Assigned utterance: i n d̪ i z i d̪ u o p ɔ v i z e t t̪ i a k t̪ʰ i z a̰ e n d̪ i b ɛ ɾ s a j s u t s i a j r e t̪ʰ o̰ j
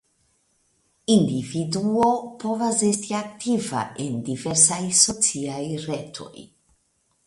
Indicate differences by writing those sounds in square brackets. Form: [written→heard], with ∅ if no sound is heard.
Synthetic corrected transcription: i n d̪ i [z→v] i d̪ u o p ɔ v [i→a] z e [t→s] t̪ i a k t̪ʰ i [z→v] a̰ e n d̪ i [b→v] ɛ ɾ s a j s [u→o] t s i a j r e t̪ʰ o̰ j